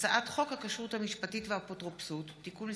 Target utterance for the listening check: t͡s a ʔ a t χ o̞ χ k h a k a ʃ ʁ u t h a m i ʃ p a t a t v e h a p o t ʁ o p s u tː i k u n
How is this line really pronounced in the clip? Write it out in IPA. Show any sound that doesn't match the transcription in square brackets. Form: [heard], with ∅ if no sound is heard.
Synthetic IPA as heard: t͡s a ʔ a t χ o̞ [∅] k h a k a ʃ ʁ u t h a m i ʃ p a t [i] t v e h a p o t ʁ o p s u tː i k u n